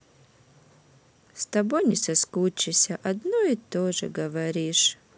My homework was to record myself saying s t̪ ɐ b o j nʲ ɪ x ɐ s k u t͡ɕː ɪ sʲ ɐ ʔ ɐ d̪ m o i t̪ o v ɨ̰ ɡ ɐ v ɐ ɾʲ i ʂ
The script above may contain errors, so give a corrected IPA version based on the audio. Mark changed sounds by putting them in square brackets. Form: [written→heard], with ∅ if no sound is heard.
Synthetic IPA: s t̪ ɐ b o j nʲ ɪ [x→s] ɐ s k u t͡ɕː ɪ sʲ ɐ ʔ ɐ d̪ [m→n] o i t̪ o [v→ʐ] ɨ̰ ɡ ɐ v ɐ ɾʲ i ʂ